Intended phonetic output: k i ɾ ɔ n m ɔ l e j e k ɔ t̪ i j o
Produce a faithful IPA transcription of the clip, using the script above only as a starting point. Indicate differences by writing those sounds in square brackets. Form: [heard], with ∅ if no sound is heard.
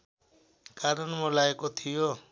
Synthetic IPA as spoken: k [a] ɾ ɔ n m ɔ l [a] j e k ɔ [t̪ʰ] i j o

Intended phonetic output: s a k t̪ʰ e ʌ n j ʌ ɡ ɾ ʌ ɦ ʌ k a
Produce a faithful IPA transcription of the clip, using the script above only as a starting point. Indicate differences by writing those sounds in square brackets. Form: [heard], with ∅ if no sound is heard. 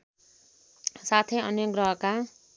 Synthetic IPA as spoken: s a [∅] t̪ʰ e ʌ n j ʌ ɡ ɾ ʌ ɦ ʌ k a

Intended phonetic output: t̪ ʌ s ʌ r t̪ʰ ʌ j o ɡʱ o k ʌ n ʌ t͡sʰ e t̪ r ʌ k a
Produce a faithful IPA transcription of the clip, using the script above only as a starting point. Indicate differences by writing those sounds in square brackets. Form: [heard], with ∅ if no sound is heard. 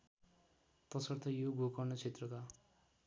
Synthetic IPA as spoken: t̪ ʌ s ʌ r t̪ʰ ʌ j o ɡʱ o k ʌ n ʌ t͡sʰ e t̪ r ʌ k a

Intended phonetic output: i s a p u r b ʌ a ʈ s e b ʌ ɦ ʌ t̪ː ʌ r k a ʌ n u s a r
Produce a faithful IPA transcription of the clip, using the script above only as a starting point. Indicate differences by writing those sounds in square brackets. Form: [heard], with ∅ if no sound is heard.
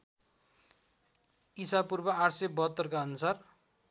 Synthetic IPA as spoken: i s a p u r b ʌ a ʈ s e b ʌ ɦ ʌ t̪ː ʌ r k a ʌ n u s a r

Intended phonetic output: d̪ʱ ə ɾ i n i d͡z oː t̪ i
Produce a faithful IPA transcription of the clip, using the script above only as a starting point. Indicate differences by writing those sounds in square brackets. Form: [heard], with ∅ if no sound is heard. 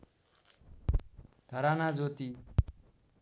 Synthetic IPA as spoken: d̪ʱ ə ɾ [a] n [a] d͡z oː t̪ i

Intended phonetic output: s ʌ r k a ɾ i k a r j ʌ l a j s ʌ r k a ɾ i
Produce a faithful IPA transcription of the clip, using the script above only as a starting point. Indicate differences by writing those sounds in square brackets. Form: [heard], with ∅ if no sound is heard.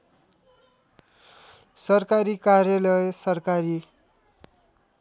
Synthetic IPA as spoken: s ʌ r k a ɾ i k a r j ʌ l [ʌ] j s ʌ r k a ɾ i

